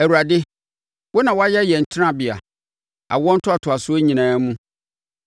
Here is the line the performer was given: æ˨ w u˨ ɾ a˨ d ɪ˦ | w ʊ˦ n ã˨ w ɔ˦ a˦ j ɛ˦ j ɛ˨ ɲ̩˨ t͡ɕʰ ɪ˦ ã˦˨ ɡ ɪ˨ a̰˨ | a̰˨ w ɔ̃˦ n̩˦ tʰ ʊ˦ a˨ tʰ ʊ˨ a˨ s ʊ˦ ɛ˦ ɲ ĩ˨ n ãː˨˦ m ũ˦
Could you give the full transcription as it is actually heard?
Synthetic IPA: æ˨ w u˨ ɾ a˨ d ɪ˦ | w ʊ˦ n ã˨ w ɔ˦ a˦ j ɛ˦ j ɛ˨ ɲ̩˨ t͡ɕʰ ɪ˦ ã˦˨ b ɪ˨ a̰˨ | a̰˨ w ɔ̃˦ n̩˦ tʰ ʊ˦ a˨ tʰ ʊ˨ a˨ s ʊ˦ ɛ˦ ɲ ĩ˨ n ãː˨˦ m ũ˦